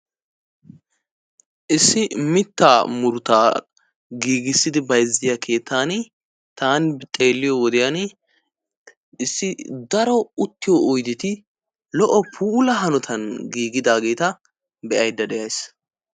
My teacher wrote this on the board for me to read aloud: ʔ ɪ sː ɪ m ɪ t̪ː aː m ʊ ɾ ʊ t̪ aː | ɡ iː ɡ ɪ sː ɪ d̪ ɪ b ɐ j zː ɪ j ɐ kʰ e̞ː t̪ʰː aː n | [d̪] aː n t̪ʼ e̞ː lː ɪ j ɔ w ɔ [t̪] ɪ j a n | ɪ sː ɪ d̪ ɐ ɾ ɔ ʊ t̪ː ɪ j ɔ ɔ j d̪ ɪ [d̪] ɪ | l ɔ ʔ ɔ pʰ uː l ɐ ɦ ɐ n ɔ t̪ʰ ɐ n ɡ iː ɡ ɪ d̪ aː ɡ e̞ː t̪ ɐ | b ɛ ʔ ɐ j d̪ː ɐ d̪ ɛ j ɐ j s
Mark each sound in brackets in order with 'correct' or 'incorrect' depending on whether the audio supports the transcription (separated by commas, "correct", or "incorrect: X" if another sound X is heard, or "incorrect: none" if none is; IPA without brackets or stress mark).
incorrect: t̪, incorrect: d̪, incorrect: t̪